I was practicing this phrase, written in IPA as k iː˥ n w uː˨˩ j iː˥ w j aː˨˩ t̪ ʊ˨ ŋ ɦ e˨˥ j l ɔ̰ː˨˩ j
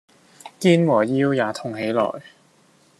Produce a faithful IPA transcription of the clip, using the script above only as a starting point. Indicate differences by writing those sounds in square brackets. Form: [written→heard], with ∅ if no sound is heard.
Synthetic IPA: k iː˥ n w [uː˨˩→ɔː˨˩] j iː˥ w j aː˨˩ [t̪→t̪ʰ] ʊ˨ ŋ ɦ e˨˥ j l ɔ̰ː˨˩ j